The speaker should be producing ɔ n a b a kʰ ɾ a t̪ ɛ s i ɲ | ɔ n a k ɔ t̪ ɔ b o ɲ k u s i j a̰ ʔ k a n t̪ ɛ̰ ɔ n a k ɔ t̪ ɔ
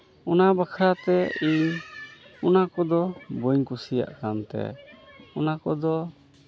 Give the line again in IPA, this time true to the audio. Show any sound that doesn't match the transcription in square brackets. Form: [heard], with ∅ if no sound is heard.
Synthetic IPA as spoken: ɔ n a b a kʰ ɾ a t̪ ɛ [∅] i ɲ | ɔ n a k ɔ [d̪] ɔ b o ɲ k u s i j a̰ ʔ k a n t̪ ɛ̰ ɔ n a k ɔ [d̪] ɔ